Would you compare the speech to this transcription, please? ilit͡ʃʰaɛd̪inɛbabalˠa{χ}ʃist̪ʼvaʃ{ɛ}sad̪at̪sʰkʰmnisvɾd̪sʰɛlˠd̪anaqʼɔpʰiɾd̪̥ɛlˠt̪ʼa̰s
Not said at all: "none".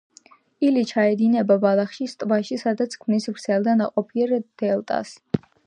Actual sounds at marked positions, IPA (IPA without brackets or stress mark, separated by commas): χ, i